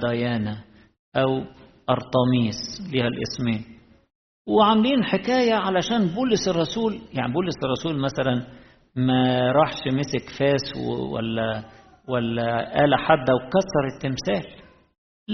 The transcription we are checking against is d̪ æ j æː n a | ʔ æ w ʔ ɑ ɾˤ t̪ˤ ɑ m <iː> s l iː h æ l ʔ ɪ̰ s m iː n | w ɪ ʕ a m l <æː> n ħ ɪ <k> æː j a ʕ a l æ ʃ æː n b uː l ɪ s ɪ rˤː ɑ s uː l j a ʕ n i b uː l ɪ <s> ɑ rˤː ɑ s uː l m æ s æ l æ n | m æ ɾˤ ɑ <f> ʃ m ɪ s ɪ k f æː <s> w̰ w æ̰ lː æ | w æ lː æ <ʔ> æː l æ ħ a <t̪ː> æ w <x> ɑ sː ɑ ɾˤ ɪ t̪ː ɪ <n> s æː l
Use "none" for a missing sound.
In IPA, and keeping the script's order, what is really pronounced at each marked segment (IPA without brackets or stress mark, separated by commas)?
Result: iː, iː, k, s, ħ, s, ʔ, d̪ː, k, m